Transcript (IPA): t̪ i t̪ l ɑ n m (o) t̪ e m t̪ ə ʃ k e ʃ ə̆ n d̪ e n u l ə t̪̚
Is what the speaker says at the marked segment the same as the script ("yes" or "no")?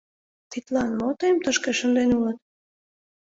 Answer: yes